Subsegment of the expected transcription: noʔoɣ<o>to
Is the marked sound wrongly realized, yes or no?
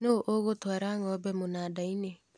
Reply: no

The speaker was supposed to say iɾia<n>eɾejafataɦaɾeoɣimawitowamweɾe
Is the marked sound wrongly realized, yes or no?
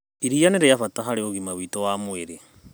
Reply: no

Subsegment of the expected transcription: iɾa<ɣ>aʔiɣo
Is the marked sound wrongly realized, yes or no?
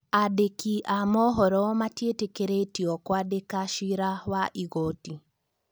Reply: yes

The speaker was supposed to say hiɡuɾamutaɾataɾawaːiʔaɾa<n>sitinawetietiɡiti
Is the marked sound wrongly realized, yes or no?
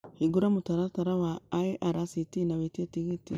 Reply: yes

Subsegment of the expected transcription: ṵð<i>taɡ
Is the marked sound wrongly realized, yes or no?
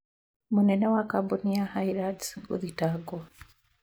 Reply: no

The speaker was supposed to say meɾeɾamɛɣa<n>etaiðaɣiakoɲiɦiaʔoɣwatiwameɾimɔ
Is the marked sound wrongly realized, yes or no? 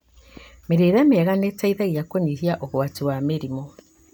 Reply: no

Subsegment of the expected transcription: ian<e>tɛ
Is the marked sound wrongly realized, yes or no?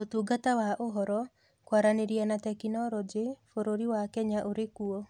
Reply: yes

